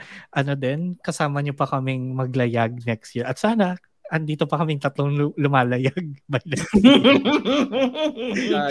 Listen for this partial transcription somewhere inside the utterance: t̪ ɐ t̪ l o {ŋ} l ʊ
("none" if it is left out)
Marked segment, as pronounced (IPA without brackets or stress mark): ŋ